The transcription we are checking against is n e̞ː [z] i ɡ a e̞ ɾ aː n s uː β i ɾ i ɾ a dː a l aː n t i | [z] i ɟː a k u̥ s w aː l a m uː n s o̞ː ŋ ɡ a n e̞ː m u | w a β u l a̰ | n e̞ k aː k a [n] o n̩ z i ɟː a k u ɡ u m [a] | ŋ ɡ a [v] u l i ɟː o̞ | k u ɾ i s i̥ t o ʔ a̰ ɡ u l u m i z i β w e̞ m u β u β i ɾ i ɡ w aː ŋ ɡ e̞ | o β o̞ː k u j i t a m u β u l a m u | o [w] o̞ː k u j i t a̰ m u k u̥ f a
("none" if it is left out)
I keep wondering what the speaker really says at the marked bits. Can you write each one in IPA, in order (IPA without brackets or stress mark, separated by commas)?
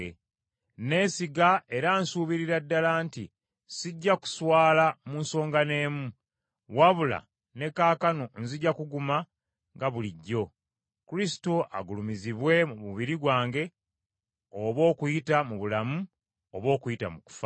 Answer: s, s, n, a, β, β